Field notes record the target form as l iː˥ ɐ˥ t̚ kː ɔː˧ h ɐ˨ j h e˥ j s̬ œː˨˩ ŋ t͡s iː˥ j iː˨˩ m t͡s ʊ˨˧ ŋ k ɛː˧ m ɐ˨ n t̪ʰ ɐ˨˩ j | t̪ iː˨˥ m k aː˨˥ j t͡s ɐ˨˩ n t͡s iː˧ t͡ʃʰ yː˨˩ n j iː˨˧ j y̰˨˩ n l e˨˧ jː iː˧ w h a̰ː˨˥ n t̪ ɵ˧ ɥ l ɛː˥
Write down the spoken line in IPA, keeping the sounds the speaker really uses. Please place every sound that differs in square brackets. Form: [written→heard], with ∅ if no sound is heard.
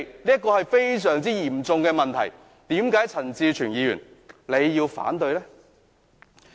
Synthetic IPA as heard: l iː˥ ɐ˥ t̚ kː ɔː˧ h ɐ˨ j [h→f] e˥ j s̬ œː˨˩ ŋ t͡s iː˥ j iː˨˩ m t͡s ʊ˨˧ ŋ k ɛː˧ m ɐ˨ n t̪ʰ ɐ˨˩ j | t̪ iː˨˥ m k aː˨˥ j [t͡s→t͡sʰ] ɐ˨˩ n t͡s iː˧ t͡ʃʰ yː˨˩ n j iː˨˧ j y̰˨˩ n l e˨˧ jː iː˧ w [h→f] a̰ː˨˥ n t̪ ɵ˧ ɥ l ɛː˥